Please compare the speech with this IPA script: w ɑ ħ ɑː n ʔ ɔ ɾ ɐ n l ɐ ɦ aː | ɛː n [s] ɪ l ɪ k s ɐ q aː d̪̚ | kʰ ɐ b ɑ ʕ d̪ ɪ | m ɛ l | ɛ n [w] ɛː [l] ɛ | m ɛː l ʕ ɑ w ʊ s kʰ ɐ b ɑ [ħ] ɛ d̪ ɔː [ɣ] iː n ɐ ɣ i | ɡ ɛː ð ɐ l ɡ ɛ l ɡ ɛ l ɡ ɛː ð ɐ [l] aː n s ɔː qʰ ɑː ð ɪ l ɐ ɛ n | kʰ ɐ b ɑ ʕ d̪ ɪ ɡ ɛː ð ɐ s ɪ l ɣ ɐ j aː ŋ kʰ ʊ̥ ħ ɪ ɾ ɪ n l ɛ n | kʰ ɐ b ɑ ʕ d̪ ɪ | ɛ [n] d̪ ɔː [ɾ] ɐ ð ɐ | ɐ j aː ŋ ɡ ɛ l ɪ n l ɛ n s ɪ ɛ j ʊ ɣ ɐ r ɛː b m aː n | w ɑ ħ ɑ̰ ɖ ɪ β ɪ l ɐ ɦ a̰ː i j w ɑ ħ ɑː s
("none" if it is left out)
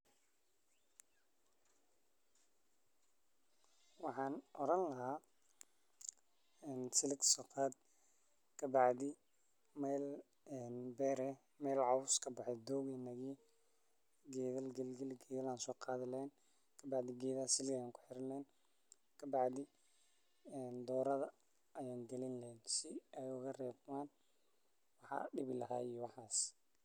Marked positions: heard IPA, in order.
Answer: s, b, ɾ, ħ, ɣ, l, n, ɾ

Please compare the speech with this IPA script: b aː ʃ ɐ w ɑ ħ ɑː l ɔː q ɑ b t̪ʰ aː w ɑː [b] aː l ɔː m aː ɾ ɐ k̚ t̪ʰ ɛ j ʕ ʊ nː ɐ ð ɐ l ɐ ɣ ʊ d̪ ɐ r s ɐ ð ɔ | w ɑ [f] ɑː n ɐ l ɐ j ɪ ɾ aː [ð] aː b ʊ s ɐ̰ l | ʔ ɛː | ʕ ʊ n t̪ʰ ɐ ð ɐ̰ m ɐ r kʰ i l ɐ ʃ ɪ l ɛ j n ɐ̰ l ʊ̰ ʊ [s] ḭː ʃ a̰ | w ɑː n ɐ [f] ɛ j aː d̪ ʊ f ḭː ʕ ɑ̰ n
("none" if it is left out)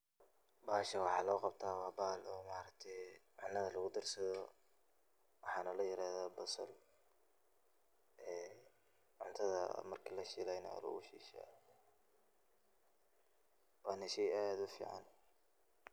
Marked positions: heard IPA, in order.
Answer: b, ħ, ð, ʃ, ʃ

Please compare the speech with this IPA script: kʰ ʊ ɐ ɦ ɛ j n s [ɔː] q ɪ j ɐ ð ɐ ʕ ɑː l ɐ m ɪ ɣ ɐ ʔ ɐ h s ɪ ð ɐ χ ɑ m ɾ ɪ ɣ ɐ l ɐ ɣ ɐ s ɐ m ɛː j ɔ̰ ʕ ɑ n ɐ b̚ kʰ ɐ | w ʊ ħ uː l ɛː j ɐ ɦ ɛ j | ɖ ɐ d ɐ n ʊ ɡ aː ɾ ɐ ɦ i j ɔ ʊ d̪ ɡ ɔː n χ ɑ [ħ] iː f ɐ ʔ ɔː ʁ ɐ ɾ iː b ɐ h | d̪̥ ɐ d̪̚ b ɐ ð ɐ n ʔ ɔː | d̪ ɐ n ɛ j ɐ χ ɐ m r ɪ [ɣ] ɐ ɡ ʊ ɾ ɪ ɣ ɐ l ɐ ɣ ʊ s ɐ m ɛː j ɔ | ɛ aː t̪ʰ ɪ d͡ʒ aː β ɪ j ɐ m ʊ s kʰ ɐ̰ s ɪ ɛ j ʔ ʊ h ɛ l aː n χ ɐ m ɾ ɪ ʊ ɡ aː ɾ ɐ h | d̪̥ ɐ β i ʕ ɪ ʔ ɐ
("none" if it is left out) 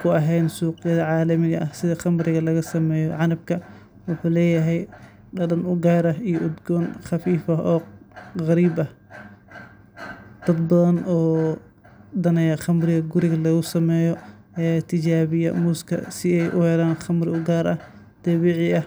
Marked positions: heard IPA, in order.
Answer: uː, f, ɣ

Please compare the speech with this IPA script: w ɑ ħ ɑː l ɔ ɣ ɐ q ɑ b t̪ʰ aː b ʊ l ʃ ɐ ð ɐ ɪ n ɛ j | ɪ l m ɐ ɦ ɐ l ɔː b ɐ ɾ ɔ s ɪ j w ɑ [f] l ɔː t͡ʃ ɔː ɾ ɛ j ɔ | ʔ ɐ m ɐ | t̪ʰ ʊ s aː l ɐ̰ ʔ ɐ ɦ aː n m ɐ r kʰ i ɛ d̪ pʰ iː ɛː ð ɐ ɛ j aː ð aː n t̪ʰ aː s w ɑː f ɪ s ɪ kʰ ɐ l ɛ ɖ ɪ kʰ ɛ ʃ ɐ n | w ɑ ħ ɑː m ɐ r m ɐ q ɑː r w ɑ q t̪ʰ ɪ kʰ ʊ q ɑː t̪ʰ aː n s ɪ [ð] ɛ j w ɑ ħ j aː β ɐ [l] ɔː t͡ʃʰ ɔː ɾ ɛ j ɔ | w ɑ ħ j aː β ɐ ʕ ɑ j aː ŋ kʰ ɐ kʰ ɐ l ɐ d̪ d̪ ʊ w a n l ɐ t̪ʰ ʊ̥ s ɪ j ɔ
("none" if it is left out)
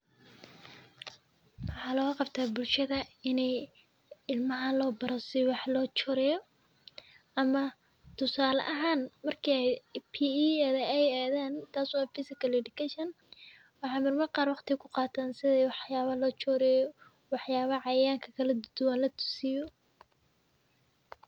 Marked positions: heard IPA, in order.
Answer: ħ, ð, l

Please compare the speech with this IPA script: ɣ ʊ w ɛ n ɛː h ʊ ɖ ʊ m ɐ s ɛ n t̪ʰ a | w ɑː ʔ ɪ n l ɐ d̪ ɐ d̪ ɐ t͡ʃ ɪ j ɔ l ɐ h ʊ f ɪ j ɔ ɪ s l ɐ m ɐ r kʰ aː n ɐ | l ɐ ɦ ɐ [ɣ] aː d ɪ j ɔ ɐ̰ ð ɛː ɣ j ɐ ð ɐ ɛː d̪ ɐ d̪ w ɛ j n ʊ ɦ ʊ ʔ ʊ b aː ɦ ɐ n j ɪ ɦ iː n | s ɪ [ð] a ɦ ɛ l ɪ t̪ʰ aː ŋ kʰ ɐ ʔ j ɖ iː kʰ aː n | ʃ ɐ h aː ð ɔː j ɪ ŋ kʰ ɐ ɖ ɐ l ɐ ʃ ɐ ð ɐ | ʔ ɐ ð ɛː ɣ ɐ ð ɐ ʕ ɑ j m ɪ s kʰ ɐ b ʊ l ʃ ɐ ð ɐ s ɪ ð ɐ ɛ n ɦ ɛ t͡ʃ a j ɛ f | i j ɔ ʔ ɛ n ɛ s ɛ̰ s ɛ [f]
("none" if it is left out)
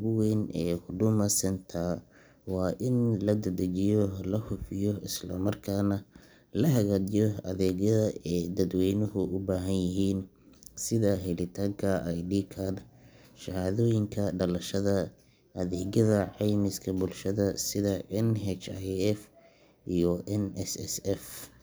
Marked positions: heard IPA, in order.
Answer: ɣ, ð, f

